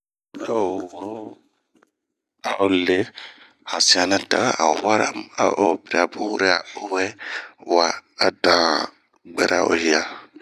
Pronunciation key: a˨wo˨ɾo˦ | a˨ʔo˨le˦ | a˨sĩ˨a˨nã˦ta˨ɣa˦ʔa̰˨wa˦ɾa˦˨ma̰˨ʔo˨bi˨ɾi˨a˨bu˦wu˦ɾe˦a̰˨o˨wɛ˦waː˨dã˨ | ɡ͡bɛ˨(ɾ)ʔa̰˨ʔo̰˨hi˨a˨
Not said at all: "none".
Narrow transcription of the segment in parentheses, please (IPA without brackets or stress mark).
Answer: ɾ